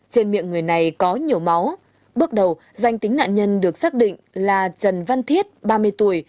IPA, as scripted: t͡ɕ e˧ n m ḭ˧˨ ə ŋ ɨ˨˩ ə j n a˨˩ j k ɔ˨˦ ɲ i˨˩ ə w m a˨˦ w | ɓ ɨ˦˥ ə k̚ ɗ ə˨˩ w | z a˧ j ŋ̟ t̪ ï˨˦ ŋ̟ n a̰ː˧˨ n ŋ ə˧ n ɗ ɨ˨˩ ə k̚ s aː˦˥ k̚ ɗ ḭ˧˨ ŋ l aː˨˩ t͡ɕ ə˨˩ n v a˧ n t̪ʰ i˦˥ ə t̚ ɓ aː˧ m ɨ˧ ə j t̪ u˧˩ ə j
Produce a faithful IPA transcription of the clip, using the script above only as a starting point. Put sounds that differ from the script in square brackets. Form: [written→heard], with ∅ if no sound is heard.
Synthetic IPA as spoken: t͡ɕ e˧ n m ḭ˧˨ ə ŋ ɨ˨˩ ə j n a˨˩ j k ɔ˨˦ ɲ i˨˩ ə w m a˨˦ w | ɓ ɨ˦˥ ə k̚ ɗ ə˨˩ w | z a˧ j ŋ̟ t̪ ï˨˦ ŋ̟ n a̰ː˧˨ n [ŋ→ɲ] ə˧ n ɗ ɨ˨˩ ə k̚ s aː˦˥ k̚ ɗ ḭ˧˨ ŋ l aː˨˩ t͡ɕ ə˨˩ n v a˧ n t̪ʰ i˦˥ ə t̚ ɓ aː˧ m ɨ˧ ə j t̪ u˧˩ ə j